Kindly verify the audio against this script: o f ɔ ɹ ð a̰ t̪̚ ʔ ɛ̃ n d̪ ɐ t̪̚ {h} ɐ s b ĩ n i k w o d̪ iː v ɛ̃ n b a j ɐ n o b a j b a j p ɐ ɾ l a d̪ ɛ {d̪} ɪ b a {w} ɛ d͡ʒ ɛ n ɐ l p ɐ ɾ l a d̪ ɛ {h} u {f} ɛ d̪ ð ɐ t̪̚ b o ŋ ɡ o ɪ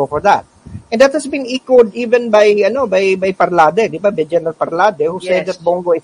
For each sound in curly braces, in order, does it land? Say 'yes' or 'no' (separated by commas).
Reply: yes, yes, no, yes, no